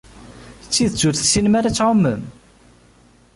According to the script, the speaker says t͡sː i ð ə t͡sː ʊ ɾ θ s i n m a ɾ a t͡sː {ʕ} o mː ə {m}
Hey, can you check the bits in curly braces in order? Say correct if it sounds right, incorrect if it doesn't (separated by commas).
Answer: correct, correct